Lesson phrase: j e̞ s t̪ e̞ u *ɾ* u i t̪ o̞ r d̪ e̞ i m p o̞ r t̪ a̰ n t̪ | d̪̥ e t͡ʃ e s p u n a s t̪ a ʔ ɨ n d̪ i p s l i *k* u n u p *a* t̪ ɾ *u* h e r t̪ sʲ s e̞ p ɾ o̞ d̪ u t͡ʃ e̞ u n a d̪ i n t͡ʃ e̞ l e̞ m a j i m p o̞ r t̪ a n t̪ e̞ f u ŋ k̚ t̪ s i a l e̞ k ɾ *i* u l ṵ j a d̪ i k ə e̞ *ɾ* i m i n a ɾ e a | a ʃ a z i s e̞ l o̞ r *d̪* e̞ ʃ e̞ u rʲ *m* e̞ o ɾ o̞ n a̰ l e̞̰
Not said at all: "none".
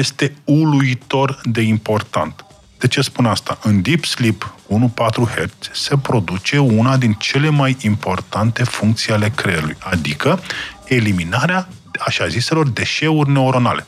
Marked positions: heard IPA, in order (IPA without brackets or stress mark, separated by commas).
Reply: l, p, a, u, e, l, d̪, n